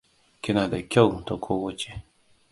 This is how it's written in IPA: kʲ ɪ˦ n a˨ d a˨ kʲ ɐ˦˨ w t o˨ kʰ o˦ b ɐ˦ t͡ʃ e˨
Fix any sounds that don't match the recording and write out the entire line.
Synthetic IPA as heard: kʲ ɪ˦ n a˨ d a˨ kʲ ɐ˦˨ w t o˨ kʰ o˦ w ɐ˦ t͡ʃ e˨